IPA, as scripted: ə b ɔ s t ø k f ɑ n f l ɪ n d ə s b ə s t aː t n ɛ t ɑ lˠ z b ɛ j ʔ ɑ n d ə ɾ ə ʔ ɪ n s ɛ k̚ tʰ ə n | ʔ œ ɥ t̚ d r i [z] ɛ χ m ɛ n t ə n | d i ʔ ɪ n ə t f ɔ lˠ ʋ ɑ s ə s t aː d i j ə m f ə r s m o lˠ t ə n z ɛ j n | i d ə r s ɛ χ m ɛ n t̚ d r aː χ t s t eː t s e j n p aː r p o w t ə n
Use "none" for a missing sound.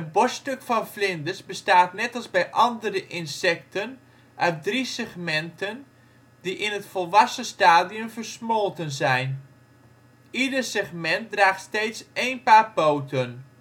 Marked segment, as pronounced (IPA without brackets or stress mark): s